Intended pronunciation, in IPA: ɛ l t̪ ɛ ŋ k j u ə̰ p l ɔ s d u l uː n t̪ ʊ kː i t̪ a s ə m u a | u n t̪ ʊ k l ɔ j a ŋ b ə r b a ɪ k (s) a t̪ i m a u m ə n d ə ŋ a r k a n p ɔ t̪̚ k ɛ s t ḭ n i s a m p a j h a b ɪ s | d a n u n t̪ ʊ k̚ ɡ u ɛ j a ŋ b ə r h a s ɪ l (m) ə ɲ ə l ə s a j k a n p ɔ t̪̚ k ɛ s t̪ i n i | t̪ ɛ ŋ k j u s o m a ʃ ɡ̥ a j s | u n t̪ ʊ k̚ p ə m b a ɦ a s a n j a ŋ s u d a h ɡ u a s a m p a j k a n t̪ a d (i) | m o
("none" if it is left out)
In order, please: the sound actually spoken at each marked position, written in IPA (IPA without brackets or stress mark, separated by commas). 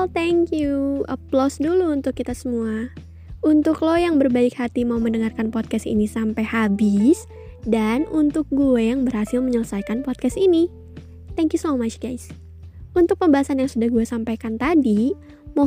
h, m, i